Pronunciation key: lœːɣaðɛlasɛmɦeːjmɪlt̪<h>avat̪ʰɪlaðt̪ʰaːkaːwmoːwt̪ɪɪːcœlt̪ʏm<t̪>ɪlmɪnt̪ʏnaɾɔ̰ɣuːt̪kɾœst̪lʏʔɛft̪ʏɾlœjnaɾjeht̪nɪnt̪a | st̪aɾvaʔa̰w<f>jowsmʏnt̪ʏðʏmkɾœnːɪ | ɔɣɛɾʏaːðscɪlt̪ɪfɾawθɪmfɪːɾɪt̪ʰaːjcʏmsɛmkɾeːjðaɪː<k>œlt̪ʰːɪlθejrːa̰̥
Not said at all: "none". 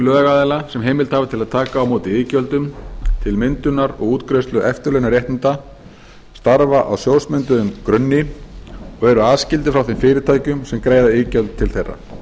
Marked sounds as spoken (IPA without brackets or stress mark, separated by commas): h, t̪ʰ, s, c